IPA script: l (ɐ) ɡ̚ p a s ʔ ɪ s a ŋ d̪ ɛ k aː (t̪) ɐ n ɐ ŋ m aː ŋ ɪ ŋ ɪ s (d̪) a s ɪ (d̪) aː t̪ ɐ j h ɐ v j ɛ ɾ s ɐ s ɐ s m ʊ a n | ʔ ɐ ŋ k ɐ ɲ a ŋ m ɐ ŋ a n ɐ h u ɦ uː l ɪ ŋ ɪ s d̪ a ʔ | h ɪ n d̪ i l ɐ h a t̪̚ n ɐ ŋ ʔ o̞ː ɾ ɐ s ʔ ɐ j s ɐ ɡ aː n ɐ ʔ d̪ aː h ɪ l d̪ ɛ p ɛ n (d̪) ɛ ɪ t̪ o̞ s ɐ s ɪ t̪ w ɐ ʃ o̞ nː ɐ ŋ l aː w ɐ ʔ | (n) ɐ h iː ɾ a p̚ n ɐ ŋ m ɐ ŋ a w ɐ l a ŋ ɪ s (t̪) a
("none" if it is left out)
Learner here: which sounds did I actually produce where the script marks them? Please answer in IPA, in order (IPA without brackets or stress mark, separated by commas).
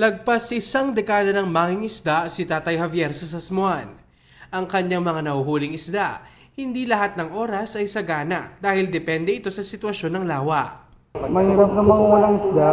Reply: ɐ, d̪, d̪, t̪, d̪, m, d̪